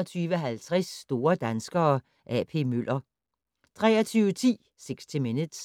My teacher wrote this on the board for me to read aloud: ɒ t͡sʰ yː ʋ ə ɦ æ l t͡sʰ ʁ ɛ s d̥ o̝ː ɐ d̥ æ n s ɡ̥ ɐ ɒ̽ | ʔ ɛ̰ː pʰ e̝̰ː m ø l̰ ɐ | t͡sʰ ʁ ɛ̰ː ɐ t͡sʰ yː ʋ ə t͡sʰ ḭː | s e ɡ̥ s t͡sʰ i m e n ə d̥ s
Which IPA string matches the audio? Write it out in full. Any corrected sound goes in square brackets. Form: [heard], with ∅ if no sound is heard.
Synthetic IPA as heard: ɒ t͡sʰ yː ʋ ə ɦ æ l t͡sʰ ʁ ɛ s d̥ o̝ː ɐ d̥ æ n s ɡ̥ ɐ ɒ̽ | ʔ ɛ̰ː pʰ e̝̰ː m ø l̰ ɐ | t͡sʰ ʁ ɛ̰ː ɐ t͡sʰ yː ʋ ə t͡sʰ ḭː | s e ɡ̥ s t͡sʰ i m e n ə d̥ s